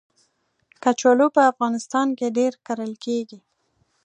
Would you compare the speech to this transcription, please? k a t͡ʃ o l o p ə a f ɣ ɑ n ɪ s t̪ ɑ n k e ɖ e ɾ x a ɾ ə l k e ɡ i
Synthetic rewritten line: k a t͡ʃ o l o p ə a f ɣ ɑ n ɪ s t̪ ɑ n k e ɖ e ɾ k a ɾ ə l k e ɡ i